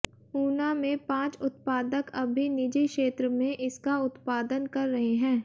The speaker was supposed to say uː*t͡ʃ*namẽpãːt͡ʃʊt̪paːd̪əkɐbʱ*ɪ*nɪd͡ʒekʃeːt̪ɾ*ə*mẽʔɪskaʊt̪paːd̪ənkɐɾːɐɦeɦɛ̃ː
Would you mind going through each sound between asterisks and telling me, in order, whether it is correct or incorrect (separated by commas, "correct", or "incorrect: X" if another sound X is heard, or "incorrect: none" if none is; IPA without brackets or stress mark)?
incorrect: none, incorrect: i, correct